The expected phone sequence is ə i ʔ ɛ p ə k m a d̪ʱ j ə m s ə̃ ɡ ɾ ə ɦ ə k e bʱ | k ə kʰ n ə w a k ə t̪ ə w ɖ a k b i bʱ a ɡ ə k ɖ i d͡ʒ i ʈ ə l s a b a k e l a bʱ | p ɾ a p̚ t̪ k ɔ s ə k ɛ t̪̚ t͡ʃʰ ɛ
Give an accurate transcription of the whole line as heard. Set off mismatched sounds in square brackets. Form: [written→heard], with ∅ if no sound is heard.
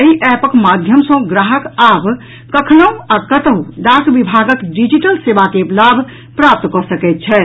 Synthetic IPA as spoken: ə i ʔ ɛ p ə k m a d̪ʱ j ə m s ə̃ ɡ ɾ [ə→a] ɦ ə k [e→a] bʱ | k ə kʰ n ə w a k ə t̪ ə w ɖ a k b i bʱ a ɡ ə k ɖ i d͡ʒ i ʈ ə l s [a→e] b a k e l a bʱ | p ɾ a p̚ t̪ k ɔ s ə k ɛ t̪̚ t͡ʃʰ ɛ